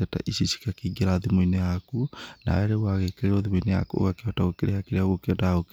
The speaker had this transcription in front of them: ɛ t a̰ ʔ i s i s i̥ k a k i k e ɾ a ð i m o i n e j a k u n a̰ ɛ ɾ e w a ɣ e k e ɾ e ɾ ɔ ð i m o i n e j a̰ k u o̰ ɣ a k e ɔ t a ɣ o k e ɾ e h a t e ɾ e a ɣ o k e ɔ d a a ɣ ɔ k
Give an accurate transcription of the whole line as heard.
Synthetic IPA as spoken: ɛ t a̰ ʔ i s i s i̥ k a k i ɡ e ɾ a ð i m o i n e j a k u n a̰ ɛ ɾ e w a ɣ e k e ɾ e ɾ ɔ ð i m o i n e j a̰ k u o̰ ɣ a k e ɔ t a ɣ o k e ɾ e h a k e ɾ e a ɣ o k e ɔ d a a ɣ o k